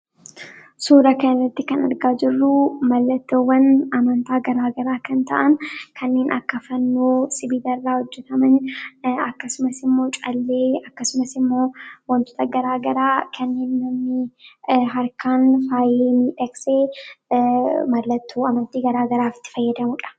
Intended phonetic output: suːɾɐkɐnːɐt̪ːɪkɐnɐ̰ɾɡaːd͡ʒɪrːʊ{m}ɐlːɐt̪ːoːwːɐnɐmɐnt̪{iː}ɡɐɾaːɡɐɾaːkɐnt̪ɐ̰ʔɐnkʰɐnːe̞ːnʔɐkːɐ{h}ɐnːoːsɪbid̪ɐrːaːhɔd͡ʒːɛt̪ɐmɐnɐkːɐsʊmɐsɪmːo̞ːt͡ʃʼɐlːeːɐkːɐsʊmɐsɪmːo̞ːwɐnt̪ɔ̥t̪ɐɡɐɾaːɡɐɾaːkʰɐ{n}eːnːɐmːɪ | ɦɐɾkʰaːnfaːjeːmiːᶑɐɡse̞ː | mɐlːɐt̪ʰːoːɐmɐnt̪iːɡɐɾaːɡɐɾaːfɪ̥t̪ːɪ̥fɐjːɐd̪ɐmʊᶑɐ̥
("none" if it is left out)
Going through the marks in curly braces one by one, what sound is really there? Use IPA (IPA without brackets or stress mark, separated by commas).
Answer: m, aː, f, nː